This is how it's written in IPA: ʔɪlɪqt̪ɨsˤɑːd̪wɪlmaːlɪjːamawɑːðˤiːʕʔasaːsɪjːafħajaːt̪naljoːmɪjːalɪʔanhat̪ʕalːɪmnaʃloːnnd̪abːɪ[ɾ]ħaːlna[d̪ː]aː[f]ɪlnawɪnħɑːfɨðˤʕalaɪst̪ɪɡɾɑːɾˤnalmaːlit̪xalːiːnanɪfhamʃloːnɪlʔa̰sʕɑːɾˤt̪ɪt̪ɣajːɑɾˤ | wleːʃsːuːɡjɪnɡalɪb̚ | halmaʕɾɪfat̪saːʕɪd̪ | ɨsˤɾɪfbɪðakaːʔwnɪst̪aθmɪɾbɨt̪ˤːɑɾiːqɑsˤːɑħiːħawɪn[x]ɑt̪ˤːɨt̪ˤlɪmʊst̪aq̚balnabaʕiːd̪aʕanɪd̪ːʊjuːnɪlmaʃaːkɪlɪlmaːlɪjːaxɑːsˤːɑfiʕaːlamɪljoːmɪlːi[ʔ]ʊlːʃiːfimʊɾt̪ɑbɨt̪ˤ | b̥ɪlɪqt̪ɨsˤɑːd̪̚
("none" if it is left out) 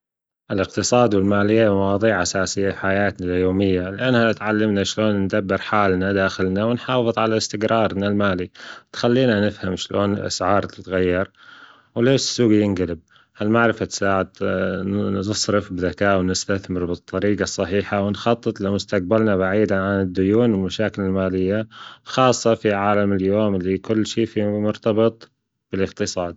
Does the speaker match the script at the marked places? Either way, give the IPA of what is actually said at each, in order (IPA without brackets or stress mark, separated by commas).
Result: ɾ, d̪, x, x, k